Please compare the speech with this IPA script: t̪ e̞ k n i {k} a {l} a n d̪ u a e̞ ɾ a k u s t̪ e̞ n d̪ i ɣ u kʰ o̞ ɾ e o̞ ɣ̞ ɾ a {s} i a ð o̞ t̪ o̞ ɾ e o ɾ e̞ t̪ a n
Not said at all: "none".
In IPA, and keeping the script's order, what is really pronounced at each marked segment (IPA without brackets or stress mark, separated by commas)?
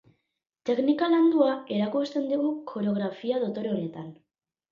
k, l, f